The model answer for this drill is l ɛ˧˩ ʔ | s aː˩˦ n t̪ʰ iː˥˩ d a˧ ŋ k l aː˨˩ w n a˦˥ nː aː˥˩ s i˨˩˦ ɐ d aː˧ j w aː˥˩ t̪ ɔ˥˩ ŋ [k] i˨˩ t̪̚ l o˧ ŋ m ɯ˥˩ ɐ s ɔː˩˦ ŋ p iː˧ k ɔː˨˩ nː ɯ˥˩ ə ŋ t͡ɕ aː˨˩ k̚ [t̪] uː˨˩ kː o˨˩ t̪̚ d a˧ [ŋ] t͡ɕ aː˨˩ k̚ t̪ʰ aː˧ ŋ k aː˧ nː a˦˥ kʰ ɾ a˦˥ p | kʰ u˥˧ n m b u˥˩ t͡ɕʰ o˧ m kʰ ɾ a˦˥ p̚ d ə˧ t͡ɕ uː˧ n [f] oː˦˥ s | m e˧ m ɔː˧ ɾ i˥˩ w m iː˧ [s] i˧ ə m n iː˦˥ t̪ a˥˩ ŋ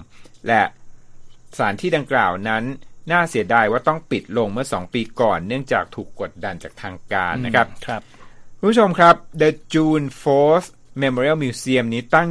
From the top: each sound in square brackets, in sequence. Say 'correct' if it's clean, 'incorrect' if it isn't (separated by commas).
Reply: incorrect, incorrect, incorrect, correct, correct